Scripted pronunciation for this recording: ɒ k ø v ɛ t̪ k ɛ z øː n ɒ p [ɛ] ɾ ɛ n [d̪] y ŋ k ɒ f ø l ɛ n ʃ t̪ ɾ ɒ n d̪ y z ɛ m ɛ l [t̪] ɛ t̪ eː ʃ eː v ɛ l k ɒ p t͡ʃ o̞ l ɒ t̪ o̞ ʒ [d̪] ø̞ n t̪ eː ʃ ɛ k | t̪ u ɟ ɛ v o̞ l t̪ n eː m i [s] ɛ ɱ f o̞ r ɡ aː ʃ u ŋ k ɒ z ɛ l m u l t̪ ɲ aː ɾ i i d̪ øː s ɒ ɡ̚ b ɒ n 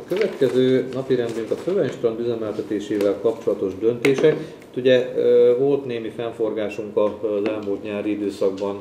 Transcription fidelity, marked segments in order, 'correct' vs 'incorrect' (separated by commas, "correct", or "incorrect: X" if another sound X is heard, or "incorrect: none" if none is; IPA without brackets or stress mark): incorrect: i, correct, correct, correct, incorrect: f